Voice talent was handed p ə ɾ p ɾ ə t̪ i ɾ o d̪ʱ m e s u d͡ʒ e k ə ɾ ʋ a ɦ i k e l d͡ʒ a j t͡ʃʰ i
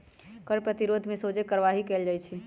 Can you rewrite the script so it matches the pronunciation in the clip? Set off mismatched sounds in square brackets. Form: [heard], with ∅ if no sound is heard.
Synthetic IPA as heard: [k] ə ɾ p ɾ ə t̪ i ɾ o d̪ʱ m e s [o] d͡ʒ e k ə ɾ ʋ a ɦ i k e l d͡ʒ a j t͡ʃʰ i

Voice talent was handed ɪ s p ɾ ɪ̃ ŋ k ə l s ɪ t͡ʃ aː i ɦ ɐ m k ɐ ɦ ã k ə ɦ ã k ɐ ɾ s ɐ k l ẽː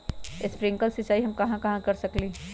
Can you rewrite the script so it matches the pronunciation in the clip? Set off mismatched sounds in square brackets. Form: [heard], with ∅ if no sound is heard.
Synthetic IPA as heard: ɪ s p ɾ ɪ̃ ŋ k ə l s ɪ t͡ʃ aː i ɦ ɐ m k ɐ ɦ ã k [ɐ] ɦ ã k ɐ ɾ s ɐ k l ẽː

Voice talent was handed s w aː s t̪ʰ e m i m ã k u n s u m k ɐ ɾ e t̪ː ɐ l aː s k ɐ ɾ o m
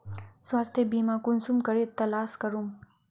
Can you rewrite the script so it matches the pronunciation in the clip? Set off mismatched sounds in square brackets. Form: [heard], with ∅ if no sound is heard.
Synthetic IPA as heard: s w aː s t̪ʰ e [b] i m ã k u n s u m k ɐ ɾ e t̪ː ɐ l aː s k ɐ ɾ [u] m

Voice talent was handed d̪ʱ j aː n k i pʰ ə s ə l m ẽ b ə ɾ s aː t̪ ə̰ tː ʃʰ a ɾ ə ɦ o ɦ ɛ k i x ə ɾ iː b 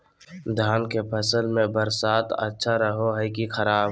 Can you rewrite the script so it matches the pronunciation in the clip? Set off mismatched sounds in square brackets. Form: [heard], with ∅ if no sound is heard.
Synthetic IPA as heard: d̪ʱ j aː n k [e] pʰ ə s ə l m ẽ b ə ɾ s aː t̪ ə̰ tː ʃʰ a ɾ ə ɦ o ɦ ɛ k i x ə ɾ [aː] b

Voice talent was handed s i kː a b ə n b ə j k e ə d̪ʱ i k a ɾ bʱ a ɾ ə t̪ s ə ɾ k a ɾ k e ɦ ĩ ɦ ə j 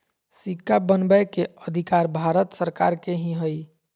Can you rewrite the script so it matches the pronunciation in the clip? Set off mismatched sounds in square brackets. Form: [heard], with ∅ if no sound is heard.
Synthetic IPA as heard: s i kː a b ə n b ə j k e ə d̪ʱ i k a ɾ bʱ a ɾ ə t̪ s ə ɾ k a ɾ k e ɦ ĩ ɦ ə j

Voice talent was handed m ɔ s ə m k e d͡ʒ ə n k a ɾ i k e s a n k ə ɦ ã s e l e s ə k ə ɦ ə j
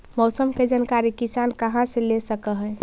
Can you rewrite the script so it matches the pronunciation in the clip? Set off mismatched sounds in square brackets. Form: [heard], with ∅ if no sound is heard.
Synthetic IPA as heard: m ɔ s ə m k e d͡ʒ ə n k a ɾ i k [i] s a n k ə ɦ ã s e l e s ə k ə ɦ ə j

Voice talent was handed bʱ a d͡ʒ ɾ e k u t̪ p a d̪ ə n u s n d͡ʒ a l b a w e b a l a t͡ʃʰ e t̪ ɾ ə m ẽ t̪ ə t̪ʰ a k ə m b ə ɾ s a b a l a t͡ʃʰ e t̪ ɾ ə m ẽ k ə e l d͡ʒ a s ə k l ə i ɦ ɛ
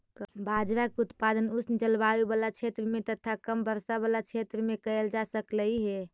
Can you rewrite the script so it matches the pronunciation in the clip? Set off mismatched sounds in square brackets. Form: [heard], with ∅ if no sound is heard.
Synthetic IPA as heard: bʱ a d͡ʒ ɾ [a] k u t̪ p a d̪ ə n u s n d͡ʒ [ə] l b a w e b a l a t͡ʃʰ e t̪ ɾ ə m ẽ t̪ ə t̪ʰ a k ə m b ə ɾ s a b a l a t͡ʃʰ e t̪ ɾ ə m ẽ k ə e l d͡ʒ a s ə k l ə i ɦ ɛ

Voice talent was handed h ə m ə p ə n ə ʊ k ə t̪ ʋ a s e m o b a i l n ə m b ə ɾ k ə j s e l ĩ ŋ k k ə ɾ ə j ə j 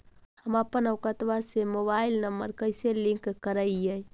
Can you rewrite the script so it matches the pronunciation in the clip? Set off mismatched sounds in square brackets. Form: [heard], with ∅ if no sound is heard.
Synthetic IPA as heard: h ə m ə p ə n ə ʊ k ə t̪ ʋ a s e m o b a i l n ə m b ə ɾ k ə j s e l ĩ ŋ k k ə ɾ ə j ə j

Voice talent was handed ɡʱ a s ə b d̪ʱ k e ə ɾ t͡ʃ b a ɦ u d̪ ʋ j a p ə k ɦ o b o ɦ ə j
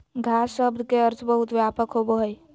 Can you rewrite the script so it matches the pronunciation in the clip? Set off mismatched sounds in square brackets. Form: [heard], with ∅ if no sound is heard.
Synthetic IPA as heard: ɡʱ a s ə b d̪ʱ k e ə ɾ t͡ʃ b [ə] ɦ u [t̪] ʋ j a p ə k ɦ o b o ɦ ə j

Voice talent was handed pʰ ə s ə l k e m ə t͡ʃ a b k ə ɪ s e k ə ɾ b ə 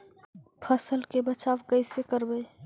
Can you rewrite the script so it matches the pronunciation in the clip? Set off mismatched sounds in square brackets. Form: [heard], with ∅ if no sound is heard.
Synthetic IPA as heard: pʰ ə s ə l k e [b] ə t͡ʃ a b k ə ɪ s e k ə ɾ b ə

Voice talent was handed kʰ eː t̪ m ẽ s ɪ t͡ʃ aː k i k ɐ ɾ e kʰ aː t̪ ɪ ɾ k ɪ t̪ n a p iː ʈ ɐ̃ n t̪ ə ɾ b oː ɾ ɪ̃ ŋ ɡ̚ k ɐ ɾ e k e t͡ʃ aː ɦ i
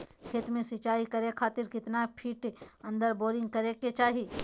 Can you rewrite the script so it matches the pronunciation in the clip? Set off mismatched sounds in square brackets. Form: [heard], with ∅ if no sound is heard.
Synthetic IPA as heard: kʰ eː t̪ m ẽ s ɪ t͡ʃ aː [∅] i k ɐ ɾ e kʰ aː t̪ ɪ ɾ k ɪ t̪ n a [pʰ] iː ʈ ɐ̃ n [d̪] ə ɾ b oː ɾ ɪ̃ ŋ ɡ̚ k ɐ ɾ e k e t͡ʃ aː ɦ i

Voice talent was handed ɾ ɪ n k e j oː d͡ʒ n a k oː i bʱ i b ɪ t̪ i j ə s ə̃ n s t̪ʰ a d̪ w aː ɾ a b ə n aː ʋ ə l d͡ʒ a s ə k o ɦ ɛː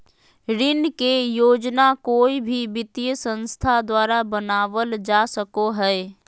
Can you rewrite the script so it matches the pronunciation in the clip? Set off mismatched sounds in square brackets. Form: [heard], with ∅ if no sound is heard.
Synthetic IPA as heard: ɾ ɪ n k e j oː d͡ʒ n a k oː i bʱ i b ɪ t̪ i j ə s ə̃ n s t̪ʰ a d̪ w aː ɾ a b ə n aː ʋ ə l d͡ʒ a s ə k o ɦ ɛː

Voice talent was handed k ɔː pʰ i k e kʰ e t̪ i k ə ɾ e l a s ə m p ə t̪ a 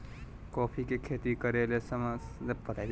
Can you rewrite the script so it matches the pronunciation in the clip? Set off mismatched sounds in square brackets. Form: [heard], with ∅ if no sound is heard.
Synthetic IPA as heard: k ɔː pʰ i k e kʰ e t̪ i k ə ɾ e l [e] s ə m p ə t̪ a

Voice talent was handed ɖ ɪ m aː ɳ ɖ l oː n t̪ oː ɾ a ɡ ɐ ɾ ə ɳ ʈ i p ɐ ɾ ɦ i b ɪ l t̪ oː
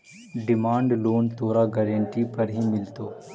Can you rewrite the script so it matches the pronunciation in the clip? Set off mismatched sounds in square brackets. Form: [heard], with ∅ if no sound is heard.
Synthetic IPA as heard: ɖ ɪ m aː ɳ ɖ l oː n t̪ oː ɾ a ɡ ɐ ɾ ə ɳ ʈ i p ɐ ɾ ɦ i [m] ɪ l t̪ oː

